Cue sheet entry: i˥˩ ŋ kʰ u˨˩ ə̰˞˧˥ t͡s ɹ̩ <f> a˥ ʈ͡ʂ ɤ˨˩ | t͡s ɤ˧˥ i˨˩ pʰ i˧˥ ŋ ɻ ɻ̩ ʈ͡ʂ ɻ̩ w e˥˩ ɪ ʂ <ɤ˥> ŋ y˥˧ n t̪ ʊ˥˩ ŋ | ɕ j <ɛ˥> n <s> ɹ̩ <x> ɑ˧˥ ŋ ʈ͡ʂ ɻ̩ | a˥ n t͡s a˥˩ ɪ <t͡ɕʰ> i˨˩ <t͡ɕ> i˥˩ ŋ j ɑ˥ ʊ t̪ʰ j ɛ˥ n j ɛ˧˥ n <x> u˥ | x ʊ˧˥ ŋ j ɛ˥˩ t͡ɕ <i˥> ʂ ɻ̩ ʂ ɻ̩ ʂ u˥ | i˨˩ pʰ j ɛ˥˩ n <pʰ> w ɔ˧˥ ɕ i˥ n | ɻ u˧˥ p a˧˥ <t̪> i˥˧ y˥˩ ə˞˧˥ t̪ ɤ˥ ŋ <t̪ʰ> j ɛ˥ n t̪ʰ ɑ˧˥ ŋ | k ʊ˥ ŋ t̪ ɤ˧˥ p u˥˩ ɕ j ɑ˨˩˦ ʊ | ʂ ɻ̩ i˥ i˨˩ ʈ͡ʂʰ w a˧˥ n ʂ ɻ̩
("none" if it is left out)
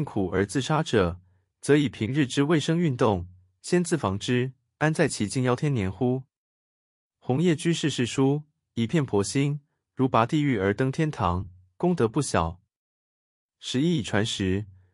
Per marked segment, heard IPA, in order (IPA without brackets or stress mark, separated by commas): ʂ, ɤ˥, ɛ˥, t͡s, f, t͡ɕʰ, t͡ɕ, x, y˥, pʰ, t̪, t̪ʰ